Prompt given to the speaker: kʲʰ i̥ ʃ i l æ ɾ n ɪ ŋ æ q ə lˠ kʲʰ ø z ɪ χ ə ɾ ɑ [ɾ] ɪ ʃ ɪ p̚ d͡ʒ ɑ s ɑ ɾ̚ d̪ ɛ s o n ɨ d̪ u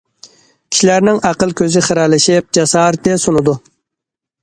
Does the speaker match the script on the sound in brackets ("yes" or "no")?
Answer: no